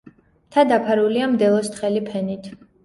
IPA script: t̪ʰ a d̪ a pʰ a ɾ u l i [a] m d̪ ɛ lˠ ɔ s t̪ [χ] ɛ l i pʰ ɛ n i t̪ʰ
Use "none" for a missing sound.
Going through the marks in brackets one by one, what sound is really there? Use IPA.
a, χ

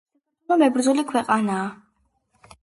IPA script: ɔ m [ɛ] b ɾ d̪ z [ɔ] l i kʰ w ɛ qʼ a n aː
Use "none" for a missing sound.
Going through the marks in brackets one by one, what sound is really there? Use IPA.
ɛ, u

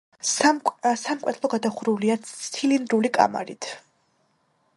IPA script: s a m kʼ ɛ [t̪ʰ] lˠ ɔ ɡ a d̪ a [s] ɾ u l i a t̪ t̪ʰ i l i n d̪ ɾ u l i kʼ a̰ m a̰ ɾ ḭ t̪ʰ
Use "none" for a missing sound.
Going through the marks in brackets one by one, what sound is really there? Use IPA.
t̪ʰ, χ

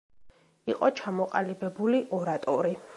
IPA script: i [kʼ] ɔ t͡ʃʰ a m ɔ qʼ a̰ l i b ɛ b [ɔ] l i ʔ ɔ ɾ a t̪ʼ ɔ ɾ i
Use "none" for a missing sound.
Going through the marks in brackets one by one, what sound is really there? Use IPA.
qʼ, u

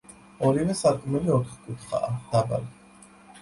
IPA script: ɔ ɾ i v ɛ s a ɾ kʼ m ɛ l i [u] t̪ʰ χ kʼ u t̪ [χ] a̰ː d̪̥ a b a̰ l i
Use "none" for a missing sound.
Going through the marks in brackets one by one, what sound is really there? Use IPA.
ɔ, χ

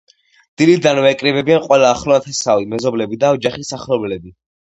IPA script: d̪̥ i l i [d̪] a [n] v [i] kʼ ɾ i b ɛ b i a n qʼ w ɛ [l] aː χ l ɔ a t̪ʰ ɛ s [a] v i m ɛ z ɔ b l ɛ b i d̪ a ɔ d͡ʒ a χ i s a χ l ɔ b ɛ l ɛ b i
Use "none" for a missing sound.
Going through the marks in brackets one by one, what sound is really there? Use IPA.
d̪, n, ɛ, l, a

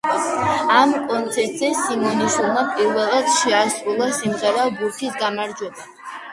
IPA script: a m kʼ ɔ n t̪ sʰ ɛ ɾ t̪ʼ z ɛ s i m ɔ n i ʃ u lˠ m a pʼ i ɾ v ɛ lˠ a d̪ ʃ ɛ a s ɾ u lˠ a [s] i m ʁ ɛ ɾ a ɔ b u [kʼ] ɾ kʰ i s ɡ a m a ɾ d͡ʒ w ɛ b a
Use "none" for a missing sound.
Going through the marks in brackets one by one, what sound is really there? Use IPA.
s, none

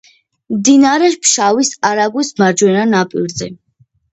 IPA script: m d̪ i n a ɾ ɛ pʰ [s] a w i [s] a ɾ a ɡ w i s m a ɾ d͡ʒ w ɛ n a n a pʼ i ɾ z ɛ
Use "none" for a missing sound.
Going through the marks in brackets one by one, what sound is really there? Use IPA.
ʃ, s

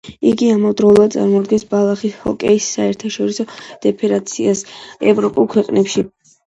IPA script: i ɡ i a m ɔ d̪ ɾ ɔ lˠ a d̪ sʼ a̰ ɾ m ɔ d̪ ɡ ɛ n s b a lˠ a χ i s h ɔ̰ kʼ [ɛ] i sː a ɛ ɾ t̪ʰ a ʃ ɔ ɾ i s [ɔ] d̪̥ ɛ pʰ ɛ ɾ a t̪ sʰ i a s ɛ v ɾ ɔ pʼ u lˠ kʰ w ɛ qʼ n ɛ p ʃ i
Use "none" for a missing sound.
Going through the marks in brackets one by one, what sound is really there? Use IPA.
ɛ, ɔ

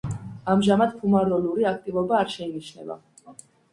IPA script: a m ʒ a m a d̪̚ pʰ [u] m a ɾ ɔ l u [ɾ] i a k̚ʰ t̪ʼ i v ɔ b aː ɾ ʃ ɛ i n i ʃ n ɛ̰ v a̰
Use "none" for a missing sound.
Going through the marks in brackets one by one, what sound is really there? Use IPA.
u, ɾ

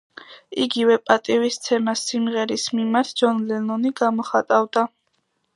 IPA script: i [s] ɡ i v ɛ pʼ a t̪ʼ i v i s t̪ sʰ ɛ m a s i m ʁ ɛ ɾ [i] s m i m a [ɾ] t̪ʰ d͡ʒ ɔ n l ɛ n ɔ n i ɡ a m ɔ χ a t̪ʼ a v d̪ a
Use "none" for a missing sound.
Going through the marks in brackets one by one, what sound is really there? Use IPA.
none, i, ɾ

